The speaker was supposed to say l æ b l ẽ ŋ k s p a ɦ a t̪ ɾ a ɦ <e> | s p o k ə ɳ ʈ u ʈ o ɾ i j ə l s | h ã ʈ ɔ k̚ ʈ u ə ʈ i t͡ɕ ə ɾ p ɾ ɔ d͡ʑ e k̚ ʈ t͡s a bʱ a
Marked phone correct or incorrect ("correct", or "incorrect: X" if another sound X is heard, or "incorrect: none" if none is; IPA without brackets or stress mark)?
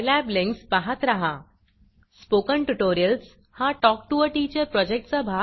incorrect: a